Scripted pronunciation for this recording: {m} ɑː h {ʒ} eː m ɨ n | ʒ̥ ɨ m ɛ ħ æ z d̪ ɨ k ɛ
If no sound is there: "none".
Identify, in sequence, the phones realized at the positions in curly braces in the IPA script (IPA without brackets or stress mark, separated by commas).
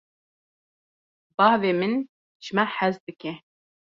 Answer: b, v